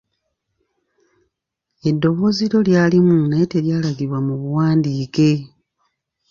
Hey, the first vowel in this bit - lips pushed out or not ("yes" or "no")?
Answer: no